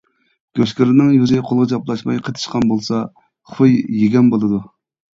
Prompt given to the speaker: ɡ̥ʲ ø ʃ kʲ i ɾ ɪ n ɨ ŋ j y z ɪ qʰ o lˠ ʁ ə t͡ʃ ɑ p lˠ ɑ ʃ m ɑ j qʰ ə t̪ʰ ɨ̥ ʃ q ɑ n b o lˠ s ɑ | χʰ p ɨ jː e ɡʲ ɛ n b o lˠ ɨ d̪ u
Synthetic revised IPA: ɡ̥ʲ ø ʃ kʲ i ɾ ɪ n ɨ ŋ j y z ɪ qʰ o lˠ ʁ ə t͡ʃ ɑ p lˠ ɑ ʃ m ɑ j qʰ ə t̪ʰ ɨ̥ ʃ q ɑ n b o lˠ s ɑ | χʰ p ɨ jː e ɡʲ ɛ n b o lˠ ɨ d̪ u

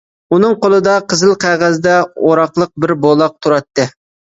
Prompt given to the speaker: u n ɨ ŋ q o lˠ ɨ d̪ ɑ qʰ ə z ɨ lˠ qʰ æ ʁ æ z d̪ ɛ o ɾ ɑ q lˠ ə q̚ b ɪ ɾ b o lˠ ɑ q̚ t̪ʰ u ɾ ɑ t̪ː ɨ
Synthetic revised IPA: u n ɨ ŋ q o lˠ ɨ d̪ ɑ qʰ ə z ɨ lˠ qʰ æ ʁ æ z d̪ ɛ o ɾ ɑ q lˠ ə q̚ b ɪ ɾ b o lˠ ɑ q̚ t̪ʰ u ɾ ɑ t̪ː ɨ

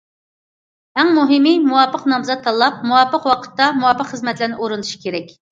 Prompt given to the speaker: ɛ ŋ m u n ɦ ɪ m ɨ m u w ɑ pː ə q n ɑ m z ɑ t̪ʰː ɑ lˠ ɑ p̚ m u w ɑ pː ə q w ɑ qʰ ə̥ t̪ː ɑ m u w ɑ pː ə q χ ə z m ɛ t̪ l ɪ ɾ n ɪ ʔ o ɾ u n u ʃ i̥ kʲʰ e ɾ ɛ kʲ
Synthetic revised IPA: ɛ ŋ m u ɦ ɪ m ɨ m u w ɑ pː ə q n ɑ m z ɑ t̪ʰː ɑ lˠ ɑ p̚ m u w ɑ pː ə q w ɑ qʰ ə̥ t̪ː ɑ m u w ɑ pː ə q χ ə z m ɛ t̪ l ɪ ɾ n ɪ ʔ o ɾ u n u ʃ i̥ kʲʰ e ɾ ɛ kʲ

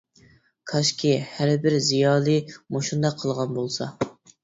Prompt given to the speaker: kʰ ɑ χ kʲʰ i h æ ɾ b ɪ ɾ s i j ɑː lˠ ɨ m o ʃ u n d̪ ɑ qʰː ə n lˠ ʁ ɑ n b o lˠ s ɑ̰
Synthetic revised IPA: kʰ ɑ ʃ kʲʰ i h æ ɾ b ɪ ɾ z i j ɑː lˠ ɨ m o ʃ u n d̪ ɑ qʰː ə lˠ ʁ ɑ n b o lˠ s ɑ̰

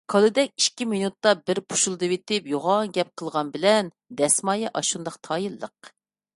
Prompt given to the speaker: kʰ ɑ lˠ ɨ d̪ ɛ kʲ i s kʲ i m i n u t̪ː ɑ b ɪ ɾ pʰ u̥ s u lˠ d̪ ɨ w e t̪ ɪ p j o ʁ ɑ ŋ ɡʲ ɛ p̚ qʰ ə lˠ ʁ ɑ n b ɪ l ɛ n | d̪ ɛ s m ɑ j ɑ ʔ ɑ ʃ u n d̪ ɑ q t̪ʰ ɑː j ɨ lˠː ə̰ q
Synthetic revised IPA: kʰ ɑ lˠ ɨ d̪ ɛ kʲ i ʃ kʲ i m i n u t̪ː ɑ b ɪ ɾ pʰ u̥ ʃ u lˠ d̪ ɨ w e t̪ ɪ p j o ʁ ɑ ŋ ɡʲ ɛ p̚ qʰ ə lˠ ʁ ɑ n b ɪ l ɛ n | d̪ ɛ s m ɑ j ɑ ʔ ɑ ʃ u n d̪ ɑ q t̪ʰ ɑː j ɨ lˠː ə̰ q

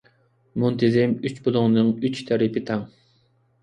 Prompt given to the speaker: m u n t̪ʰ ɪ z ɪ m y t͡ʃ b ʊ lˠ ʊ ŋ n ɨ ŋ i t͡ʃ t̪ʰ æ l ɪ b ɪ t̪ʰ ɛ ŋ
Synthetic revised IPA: m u n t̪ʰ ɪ z ɪ m y t͡ʃ b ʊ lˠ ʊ ŋ n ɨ ŋ y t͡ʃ t̪ʰ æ ɾ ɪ p ɪ t̪ʰ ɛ ŋ

